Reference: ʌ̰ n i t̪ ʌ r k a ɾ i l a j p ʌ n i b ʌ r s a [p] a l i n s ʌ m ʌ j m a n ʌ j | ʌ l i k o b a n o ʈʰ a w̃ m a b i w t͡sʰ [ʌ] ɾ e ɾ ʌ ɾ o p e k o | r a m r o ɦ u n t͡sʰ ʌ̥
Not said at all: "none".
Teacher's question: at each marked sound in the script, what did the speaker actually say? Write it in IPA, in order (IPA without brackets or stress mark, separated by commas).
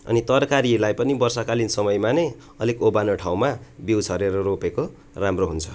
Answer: k, ʌ